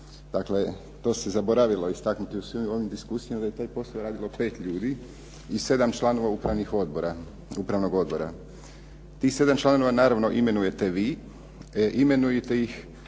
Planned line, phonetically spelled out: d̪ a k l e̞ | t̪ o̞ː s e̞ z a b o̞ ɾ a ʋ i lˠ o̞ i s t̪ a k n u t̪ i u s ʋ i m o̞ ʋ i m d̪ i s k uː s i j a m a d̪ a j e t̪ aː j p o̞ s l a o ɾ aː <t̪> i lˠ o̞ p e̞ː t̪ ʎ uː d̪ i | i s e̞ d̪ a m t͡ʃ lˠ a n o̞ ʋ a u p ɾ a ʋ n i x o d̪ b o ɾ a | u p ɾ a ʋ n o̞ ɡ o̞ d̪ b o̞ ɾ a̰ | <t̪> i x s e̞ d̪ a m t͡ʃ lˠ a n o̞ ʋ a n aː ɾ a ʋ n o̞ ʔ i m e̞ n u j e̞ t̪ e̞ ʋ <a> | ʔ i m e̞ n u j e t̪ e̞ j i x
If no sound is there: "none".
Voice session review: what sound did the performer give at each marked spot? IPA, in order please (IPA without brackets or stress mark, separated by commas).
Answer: d̪, t̪, i